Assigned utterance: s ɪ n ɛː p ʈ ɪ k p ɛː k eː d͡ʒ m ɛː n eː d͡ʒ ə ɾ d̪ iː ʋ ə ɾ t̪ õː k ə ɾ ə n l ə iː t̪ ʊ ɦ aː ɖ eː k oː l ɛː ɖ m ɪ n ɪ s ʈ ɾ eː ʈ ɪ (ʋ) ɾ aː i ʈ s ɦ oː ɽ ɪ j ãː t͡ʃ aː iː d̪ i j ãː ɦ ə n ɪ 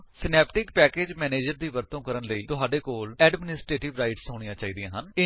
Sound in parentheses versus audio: correct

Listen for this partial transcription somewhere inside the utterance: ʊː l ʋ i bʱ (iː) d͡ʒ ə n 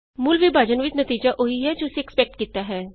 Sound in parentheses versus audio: incorrect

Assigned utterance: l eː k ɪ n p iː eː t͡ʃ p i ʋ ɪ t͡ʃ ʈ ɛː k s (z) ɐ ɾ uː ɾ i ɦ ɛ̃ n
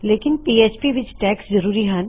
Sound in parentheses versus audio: correct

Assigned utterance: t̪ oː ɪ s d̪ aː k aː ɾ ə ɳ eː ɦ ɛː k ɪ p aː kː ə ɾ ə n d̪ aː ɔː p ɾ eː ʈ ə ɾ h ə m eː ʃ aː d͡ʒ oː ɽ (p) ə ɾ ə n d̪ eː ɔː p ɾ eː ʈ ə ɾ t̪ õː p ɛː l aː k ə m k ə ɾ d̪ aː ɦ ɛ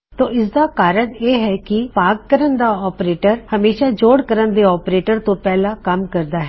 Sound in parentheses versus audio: incorrect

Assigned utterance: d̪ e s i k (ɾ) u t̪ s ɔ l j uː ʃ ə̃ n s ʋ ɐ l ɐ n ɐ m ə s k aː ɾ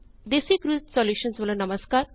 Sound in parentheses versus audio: correct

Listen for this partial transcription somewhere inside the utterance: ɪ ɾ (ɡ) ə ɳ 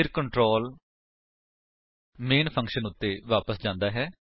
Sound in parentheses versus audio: incorrect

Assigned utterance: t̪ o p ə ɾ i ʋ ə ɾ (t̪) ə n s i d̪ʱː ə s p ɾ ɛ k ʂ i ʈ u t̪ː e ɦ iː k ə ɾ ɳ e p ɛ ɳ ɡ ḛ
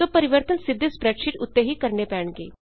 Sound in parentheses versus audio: correct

